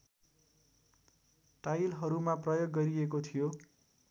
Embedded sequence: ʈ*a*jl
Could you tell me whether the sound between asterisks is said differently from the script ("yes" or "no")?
no